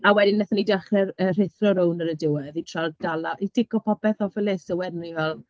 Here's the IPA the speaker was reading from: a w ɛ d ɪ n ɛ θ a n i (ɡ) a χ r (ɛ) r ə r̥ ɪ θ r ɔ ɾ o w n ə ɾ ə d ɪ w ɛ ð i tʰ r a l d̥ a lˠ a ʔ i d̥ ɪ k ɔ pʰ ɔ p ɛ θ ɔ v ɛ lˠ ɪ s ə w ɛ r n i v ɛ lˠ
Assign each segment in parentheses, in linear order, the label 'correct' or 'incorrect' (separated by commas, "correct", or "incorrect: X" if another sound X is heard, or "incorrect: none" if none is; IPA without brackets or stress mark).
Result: incorrect: d, correct